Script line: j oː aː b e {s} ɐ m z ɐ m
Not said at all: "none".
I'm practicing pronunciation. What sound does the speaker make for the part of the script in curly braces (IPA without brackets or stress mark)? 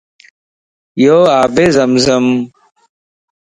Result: z